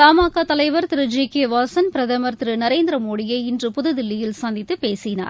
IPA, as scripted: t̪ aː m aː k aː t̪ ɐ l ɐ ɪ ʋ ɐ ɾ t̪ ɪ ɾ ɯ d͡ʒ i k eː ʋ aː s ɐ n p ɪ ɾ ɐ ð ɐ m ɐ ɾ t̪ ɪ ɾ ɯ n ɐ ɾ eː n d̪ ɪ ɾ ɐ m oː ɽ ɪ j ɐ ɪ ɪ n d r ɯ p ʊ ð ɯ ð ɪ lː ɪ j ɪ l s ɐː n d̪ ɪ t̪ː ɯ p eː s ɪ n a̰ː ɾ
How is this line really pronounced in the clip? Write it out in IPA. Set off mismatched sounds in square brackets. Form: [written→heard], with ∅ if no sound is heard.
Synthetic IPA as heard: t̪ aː m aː k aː t̪ ɐ l ɐ ɪ ʋ ɐ ɾ t̪ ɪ ɾ ɯ d͡ʒ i k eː ʋ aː s ɐ n p ɪ ɾ ɐ ð ɐ m ɐ ɾ t̪ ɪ ɾ ɯ n ɐ ɾ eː n d̪ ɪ ɾ ɐ m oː ɽ ɪ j ɐ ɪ ɪ n d r ɯ p ʊ ð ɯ ð ɪ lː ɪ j ɪ l s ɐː n d̪ ɪ t̪ː ɯ p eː s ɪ n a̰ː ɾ